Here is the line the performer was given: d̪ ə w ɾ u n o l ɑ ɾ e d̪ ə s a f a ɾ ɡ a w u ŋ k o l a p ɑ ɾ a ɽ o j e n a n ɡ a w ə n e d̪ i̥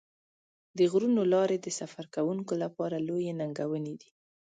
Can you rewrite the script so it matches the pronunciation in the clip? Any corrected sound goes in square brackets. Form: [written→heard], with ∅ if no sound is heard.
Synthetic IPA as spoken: d̪ ə [w→ɣ] ɾ u n o l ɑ ɾ e d̪ ə s a f a ɾ [ɡ→k] a w u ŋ k o l a p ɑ ɾ a [ɽ→l] o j e n a [n→ŋ] ɡ a w ə n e d̪ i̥

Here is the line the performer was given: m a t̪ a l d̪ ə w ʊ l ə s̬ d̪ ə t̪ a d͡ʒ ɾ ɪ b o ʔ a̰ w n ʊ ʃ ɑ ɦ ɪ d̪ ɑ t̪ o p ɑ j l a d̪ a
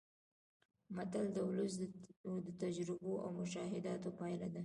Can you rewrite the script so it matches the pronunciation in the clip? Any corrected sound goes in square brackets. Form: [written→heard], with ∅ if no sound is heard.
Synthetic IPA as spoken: m a t̪ a l d̪ ə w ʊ l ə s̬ d̪ ə t̪ a d͡ʒ ɾ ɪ b o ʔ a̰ w [n→m] ʊ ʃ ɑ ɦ ɪ d̪ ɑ t̪ o p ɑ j l a d̪ a

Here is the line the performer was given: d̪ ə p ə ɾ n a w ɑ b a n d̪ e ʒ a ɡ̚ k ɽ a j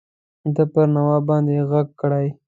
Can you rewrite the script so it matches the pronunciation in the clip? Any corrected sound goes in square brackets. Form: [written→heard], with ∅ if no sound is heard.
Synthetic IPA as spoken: d̪ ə p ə ɾ n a w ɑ b [a→ɑ] n d̪ e [ʒ→ɣ] a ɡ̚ k ɽ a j

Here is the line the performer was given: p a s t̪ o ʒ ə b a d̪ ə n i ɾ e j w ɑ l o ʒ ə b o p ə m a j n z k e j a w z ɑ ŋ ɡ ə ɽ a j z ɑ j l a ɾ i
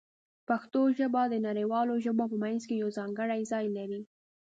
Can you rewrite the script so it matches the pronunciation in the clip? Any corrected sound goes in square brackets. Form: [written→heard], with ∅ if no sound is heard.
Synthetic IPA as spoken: p a [s→x] t̪ o ʒ ə b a d̪ ə n [i→a] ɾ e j w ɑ l o ʒ ə b o p ə m a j n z k e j a w z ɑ ŋ ɡ ə ɽ a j z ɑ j l a ɾ i

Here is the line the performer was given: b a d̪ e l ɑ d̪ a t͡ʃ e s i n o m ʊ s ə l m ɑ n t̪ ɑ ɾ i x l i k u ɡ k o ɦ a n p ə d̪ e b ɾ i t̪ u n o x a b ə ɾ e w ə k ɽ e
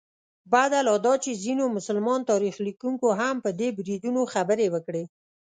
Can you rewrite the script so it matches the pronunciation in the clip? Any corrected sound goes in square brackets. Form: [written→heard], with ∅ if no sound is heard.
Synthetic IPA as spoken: b a d̪ [e→a] l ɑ d̪ [a→ɑ] t͡ʃ e [s→z] i n o m ʊ s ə l m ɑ n t̪ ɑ ɾ i x l i k u [ɡ→ŋ] k o ɦ a [n→m] p ə d̪ e b ɾ i [t̪→d̪] u n o x a b ə ɾ e w ə k ɽ e

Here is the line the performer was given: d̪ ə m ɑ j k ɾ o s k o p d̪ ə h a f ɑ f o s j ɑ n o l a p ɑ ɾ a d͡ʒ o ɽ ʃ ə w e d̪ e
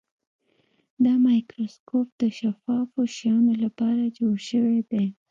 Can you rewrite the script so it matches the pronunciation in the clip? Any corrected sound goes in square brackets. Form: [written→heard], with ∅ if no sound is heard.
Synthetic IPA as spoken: d̪ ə m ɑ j k ɾ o s k o p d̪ ə [h→ʃ] a f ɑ f o [s→ʃ] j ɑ n o l a p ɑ ɾ a d͡ʒ o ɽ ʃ ə w e d̪ e

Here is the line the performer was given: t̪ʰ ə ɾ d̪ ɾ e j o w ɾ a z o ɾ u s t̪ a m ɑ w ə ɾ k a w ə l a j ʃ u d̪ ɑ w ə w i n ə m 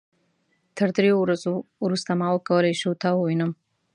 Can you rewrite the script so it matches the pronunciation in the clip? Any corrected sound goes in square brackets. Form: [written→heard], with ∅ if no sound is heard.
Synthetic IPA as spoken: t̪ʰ ə ɾ d̪ ɾ e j o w ɾ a z o ɾ u s t̪ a m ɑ w ə [ɾ→∅] k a w ə l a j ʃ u [d̪→t̪] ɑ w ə w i n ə m

